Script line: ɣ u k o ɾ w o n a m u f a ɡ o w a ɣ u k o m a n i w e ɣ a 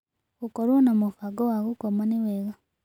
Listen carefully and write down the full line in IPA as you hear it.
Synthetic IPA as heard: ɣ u k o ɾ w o n a m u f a ɡ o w a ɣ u k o m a n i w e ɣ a